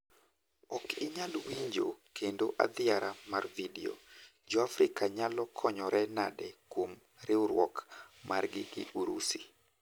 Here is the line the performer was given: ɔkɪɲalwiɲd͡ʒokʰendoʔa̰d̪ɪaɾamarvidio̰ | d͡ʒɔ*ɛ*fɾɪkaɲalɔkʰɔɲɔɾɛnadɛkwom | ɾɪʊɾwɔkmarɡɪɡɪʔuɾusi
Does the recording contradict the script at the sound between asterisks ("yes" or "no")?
yes